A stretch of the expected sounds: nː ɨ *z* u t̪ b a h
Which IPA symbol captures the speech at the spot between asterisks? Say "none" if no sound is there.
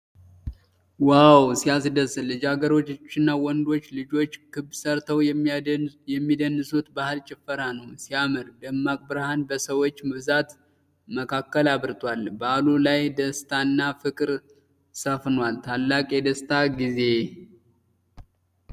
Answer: s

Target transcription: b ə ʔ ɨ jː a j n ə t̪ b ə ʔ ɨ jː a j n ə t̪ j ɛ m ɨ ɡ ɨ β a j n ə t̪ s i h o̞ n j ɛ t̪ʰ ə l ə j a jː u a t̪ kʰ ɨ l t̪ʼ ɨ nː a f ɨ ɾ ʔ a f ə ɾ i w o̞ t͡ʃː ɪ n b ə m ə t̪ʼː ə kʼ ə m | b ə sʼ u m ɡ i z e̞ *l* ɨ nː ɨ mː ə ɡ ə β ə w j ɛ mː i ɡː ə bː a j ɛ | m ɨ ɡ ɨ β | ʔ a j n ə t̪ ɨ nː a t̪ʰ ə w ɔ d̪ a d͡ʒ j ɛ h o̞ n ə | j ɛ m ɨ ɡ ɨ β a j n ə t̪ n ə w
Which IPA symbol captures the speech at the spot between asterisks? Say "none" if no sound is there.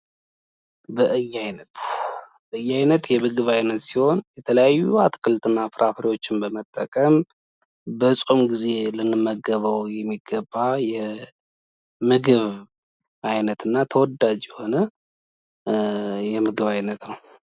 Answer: l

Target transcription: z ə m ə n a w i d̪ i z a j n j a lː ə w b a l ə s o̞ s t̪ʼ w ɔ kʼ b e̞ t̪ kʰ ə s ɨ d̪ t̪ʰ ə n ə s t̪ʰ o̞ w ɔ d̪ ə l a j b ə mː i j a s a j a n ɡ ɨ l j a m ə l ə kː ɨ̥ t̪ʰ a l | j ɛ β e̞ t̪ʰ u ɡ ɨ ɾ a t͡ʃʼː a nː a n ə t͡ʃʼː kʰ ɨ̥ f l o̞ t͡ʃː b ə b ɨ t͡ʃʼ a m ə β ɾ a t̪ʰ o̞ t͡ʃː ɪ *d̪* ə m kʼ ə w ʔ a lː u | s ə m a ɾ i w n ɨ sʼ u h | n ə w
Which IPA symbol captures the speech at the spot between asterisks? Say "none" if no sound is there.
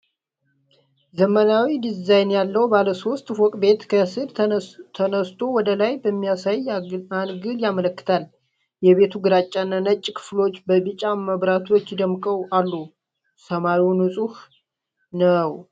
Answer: d̪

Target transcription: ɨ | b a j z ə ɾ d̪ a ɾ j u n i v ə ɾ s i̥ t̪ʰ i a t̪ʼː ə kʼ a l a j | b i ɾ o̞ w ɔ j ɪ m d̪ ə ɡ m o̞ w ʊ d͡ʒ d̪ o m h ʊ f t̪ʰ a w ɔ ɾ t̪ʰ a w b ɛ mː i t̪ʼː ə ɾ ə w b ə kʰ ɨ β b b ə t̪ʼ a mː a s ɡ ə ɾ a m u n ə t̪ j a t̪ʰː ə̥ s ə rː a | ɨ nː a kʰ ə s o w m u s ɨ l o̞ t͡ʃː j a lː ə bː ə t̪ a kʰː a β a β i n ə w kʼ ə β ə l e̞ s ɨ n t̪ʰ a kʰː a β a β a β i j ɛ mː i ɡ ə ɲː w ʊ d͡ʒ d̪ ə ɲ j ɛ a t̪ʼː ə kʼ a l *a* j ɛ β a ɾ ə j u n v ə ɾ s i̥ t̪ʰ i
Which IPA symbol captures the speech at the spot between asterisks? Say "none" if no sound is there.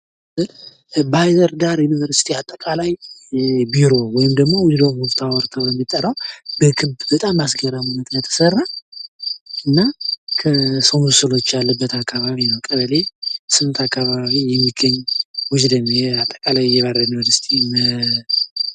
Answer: a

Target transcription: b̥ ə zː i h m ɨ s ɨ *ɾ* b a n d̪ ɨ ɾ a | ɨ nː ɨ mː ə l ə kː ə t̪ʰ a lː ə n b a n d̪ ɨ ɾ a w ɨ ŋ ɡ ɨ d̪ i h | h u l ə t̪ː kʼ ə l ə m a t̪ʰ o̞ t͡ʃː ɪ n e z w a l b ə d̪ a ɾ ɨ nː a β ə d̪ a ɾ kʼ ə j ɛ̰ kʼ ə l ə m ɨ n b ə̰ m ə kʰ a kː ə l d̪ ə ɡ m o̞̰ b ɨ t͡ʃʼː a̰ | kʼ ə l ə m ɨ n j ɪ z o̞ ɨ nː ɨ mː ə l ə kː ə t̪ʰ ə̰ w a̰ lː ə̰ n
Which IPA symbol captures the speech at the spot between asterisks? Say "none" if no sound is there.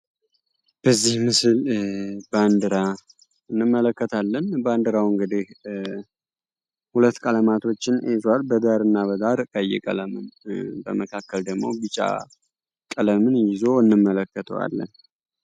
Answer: l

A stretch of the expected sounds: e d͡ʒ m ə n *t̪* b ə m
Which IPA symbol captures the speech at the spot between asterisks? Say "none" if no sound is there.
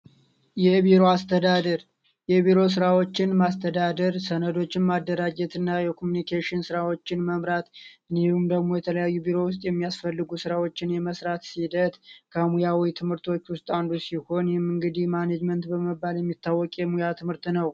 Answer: t̪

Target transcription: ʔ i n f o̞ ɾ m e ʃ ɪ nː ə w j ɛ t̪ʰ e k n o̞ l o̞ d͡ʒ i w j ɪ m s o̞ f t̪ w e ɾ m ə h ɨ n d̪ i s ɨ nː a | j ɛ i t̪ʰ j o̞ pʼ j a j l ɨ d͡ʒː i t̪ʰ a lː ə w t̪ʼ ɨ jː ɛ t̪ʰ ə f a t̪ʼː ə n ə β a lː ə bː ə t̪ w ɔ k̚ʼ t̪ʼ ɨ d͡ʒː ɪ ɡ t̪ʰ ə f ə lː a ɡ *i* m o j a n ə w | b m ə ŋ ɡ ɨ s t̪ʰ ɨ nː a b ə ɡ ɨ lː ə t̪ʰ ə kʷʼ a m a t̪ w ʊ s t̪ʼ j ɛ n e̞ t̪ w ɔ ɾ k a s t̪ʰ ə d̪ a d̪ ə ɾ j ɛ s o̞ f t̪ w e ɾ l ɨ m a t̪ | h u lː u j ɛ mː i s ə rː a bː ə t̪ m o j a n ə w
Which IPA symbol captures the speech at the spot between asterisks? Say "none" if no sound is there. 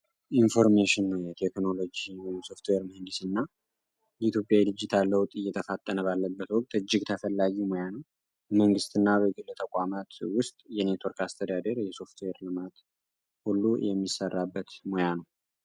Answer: i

